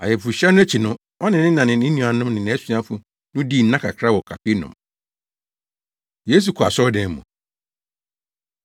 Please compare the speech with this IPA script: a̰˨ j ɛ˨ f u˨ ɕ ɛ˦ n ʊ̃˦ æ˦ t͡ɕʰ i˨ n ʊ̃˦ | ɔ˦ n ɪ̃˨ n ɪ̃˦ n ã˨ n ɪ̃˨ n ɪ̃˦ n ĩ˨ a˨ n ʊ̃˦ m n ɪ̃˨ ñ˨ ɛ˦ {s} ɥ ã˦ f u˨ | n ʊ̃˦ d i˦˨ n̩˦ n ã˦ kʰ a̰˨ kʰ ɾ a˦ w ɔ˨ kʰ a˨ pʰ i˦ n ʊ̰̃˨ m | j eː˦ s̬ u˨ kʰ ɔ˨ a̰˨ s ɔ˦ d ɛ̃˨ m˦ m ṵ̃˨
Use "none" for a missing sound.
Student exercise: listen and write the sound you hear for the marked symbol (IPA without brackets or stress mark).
s